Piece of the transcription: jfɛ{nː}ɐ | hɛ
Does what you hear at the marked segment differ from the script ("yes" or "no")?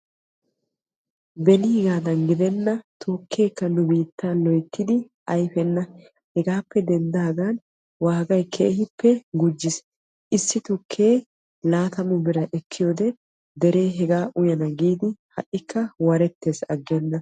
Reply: no